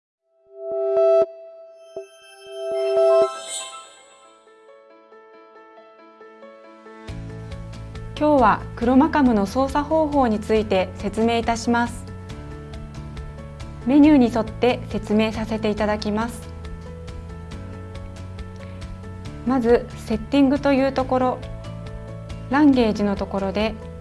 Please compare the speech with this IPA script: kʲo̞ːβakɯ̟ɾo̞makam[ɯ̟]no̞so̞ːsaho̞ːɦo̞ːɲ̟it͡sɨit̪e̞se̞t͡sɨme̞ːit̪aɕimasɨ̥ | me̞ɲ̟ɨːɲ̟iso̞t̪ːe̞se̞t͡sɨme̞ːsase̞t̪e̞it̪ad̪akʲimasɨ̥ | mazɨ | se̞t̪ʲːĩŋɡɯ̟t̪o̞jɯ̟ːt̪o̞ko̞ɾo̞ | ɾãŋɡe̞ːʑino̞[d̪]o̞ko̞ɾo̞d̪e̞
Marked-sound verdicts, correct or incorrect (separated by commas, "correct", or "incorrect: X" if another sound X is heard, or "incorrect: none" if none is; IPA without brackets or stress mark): correct, incorrect: t̪